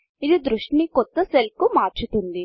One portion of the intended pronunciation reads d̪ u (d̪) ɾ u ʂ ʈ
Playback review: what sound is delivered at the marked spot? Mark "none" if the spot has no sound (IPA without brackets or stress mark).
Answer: d̪